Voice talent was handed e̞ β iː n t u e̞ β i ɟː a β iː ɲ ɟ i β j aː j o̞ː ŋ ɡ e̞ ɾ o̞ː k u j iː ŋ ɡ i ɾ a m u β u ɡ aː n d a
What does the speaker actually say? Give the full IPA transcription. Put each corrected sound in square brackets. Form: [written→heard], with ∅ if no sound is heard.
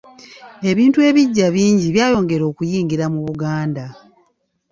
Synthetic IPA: e̞ β iː n t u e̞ β i ɟː a β iː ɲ ɟ i β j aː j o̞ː ŋ ɡ e̞ ɾ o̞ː k u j iː ŋ ɡ i ɾ a m u β u ɡ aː n d a